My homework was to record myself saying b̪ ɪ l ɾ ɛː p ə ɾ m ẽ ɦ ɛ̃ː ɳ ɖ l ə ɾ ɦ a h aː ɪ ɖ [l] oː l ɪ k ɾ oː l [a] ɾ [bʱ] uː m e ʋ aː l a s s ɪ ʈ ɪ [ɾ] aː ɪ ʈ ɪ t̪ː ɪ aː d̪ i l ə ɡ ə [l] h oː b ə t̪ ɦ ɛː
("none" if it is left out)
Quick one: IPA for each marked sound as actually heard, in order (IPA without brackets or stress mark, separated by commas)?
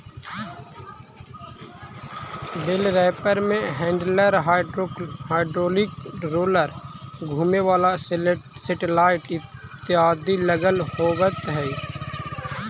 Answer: ɾ, ə, ɡʱ, l, l